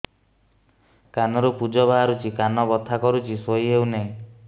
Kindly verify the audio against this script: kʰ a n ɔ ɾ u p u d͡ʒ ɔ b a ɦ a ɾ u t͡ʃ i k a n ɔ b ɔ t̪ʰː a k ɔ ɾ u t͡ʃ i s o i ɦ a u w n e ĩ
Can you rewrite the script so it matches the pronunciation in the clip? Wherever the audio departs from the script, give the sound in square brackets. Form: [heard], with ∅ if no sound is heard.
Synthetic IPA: [k] a n ɔ ɾ u p u d͡ʒ ɔ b a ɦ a ɾ u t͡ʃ i k a n ɔ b ɔ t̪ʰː a k ɔ ɾ u t͡ʃ i s o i ɦ [e] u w n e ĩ

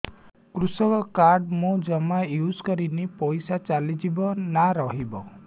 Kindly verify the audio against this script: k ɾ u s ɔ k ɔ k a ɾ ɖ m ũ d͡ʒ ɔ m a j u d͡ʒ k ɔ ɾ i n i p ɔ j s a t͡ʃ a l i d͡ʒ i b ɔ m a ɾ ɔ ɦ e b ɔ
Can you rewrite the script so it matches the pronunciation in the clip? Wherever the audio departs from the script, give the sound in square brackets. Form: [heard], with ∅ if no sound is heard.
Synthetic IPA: k ɾ u s ɔ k ɔ k a ɾ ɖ m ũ d͡ʒ ɔ m a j u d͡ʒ k ɔ ɾ i n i p ɔ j s a t͡ʃ a l i d͡ʒ i b ɔ [n] a ɾ ɔ ɦ [i] b ɔ

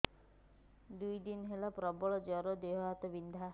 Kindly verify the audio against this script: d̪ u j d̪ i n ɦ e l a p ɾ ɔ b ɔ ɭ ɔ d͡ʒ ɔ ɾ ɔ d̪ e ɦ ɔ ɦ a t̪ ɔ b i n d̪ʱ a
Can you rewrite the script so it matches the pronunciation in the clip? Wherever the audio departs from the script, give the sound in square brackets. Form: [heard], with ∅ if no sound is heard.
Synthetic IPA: d̪ u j d̪ i n ɦ e l a p ɾ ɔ b ɔ ɭ ɔ d͡ʒ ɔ ɾ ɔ d̪ e ɦ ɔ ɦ a t̪ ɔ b i n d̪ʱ a

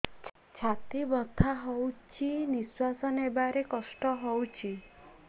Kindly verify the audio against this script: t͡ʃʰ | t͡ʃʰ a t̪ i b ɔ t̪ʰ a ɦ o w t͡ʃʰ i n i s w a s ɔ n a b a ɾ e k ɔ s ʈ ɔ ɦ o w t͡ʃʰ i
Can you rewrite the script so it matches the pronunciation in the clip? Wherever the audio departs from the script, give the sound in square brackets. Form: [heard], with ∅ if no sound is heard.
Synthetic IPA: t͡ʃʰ | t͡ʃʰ a t̪ i b ɔ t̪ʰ a ɦ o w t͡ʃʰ i n i s w a s ɔ n [e] b a ɾ e k ɔ s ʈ ɔ ɦ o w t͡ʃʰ i

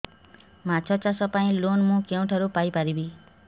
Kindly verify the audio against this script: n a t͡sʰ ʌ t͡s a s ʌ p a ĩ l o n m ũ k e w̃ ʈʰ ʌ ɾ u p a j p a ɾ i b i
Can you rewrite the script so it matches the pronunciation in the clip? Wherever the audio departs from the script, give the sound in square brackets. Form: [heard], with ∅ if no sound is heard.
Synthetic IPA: [m] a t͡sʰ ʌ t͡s a s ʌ p a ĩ l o n m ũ k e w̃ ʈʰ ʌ ɾ u p a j p a ɾ i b i

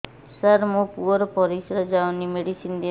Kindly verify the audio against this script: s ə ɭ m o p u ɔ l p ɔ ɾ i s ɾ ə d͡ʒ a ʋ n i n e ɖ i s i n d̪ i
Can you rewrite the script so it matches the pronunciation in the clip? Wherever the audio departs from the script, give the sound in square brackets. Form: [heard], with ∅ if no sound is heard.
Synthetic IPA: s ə [ɾ] m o p u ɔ [ɾ] p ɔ ɾ i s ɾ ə d͡ʒ a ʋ n i [m] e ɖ i s i n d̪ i

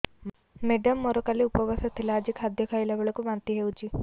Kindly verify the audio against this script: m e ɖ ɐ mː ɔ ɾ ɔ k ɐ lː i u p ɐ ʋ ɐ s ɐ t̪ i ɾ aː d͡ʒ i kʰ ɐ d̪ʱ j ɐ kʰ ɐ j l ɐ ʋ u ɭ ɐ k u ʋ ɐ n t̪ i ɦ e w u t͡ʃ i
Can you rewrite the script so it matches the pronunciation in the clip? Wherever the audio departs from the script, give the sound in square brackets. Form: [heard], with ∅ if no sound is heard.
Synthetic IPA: m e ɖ ɐ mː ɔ ɾ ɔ k ɐ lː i u p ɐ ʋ ɐ s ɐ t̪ i [l] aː d͡ʒ i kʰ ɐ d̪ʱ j ɐ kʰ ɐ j l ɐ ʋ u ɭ ɐ k u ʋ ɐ n t̪ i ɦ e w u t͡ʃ i

